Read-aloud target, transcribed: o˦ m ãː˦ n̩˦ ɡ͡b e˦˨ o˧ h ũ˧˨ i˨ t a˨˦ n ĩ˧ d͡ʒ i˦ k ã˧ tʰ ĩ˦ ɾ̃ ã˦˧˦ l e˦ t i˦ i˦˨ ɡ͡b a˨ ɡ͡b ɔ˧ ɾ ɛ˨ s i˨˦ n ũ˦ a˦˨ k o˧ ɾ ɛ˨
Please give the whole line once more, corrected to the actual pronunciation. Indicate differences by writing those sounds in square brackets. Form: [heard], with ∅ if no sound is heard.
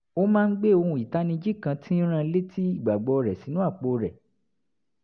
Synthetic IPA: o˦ m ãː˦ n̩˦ ɡ͡b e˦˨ o˧ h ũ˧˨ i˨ t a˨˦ n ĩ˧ d͡ʒ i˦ k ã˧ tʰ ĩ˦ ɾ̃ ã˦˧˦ l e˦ t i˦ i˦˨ ɡ͡b a˨ ɡ͡b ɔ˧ ɾ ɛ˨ s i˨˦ n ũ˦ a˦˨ [k͡p] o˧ ɾ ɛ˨